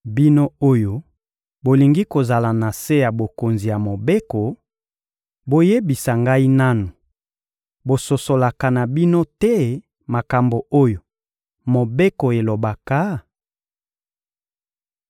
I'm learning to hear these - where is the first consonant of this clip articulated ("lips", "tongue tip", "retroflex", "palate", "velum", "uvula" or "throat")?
lips